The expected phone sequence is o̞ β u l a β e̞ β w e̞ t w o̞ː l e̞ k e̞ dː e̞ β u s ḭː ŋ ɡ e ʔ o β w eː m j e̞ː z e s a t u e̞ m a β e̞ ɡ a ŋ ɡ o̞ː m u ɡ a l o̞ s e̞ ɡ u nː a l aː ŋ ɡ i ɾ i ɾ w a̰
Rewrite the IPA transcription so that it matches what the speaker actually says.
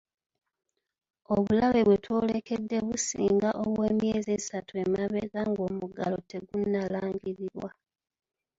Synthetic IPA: o̞ β u l a β e̞ β w e̞ t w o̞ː l e̞ k e̞ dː e̞ β u s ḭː ŋ ɡ a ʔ o β w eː m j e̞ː z e s a t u e̞ m a β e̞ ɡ a ŋ ɡ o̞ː m u ɡ a l o̞ t e̞ ɡ u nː a l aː ŋ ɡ i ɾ i ɾ w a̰

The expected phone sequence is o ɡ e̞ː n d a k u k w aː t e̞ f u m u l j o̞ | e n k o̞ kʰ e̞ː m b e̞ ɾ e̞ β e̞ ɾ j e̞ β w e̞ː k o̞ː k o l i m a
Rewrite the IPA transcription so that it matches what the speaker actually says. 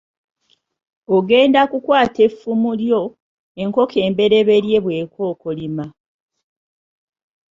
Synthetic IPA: o ɡ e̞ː n d a k u k w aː t e̞ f u m u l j o̞ | e ŋ k o̞ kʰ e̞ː m b e̞ ɾ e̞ β e̞ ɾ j e̞ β w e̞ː k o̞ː k o l i m a

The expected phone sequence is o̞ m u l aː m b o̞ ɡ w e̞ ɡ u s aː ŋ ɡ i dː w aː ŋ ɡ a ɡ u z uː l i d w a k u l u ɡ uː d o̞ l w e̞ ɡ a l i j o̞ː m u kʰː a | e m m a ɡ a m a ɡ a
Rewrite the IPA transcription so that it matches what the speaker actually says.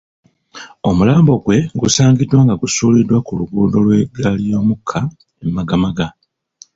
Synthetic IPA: o̞ m u l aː m b o̞ ɡ w e̞ ɡ u s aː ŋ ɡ i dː w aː ŋ ɡ a ɡ u s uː l i d w a k u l u ɡ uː d o̞ l w e̞ ɡ a l i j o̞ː m u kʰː a | e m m a ɡ a m a ɡ a

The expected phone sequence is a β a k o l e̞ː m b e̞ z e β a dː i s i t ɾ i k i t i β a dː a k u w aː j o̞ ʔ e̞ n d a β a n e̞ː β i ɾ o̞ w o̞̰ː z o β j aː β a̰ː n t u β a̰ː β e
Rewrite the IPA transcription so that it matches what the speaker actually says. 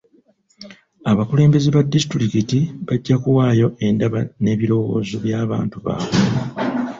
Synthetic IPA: a β a k u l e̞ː m b e̞ z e β a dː i s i t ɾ i k i t i β a ɟː a k u w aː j o̞ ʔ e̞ n d a β a n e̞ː β i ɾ o̞ w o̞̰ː z o β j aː β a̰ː n t u β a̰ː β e

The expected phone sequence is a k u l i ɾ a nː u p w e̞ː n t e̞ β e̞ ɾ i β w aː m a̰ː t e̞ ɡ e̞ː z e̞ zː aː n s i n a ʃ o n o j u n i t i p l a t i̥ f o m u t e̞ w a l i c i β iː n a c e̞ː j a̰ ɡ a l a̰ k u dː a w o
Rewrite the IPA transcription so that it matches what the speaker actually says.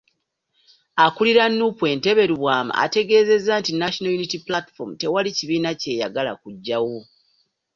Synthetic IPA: a k u l i ɾ a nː u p w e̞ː n t e̞ β e̞ ɾ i β w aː m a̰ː t e̞ ɡ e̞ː z e̞ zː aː n t i n a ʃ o n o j u n i t i p l a t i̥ f o m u t e̞ w a l i c i β iː n a c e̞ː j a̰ ɡ a l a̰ k u ɟː a w o

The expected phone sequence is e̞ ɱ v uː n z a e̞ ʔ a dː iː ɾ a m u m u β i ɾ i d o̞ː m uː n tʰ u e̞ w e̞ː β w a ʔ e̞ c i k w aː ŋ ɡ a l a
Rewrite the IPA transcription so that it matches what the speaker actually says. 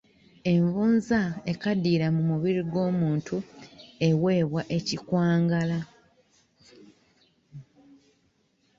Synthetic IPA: e̞ ɱ v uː n z a e̞ k a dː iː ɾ a m u m u β i ɾ i ɡ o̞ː m uː n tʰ u e̞ w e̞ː β w a ʔ e̞ c i k w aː ŋ ɡ a l a

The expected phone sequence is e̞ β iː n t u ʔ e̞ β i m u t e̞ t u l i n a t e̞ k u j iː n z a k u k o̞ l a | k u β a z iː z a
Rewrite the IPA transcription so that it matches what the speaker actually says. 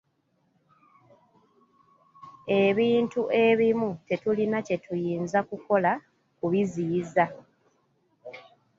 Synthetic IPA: e̞ β iː n t u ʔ e̞ β i m u t e̞ t u l i n a c e̞ t u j iː n z a k u k o̞ l a | k u β i z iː z a

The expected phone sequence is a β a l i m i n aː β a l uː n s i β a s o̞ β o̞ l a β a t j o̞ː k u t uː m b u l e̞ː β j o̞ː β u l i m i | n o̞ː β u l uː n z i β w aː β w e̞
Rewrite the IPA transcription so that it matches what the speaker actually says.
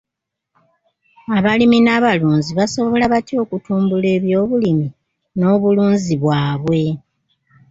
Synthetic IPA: a β a l i m i n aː β a l uː n z i β a s o̞ β o̞ l a β a t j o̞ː k u t uː m b u l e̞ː β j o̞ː β u l i m i | n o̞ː β u l uː n z i β w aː β w e̞

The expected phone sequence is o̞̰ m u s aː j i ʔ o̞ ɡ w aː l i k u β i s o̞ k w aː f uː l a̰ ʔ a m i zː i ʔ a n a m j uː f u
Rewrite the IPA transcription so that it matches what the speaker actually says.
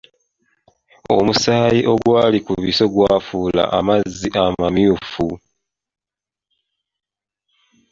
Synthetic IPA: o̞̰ m u s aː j i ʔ o̞ ɡ w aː l i k u β i s o̞ ɡ w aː f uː l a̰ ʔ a m a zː i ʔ a m a m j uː f u

